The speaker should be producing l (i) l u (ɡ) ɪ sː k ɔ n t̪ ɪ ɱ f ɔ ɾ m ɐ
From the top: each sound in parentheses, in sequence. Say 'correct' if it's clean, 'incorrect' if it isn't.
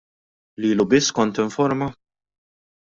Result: incorrect, incorrect

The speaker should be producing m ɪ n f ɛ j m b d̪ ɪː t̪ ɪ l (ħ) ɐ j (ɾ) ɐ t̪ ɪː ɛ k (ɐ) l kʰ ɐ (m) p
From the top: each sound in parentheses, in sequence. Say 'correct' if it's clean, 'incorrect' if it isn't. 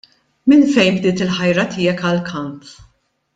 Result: correct, correct, correct, correct

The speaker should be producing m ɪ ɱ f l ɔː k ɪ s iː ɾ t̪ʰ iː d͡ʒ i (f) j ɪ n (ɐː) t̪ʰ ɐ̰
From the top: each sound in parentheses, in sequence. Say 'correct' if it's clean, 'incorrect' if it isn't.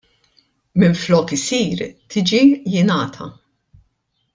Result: incorrect, correct

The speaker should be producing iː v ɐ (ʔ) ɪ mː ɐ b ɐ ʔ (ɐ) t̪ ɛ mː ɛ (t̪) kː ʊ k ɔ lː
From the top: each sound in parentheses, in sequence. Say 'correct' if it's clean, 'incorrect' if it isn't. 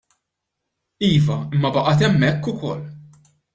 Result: incorrect, correct, incorrect

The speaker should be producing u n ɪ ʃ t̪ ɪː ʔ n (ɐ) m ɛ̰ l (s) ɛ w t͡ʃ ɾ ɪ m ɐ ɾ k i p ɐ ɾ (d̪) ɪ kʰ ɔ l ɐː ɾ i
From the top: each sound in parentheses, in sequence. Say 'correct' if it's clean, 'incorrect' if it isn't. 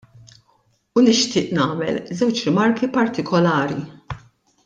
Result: incorrect, incorrect, incorrect

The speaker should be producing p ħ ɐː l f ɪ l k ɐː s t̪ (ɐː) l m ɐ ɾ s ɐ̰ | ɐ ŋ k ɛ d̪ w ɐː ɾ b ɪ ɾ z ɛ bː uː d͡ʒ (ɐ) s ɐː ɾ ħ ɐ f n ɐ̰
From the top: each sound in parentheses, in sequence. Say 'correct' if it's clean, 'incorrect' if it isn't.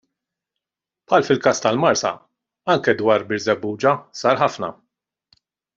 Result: incorrect, correct

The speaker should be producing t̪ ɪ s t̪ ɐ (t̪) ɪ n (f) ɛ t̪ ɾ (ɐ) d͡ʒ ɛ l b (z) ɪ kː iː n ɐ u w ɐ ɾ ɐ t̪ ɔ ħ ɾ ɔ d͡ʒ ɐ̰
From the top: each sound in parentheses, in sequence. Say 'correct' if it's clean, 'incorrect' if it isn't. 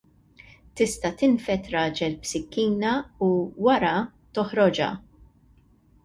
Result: correct, correct, incorrect, incorrect

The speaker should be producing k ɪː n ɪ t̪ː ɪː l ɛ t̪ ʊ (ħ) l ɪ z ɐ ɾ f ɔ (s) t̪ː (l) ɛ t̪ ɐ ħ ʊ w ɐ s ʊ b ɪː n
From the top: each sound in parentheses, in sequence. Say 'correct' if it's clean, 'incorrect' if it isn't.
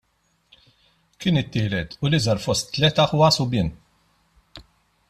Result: incorrect, correct, correct

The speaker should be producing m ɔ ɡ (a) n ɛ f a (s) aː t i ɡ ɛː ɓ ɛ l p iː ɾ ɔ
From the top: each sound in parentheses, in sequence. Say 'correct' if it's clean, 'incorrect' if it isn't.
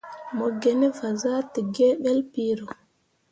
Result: incorrect, incorrect

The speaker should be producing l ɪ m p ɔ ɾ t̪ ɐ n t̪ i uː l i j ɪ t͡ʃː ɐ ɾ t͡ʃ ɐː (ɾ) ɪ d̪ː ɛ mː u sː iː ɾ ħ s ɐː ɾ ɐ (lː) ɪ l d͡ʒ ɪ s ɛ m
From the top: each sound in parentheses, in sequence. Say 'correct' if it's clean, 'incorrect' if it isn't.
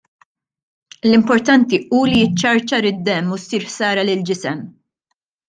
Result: correct, incorrect

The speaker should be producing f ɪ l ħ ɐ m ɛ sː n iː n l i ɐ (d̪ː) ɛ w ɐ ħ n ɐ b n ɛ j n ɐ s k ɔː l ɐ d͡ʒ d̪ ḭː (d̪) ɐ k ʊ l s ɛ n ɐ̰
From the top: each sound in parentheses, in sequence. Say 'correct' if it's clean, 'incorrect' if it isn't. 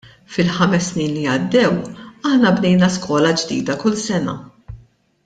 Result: correct, correct

